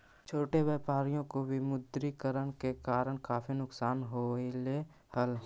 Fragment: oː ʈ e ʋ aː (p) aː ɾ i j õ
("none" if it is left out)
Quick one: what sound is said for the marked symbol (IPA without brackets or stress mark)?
p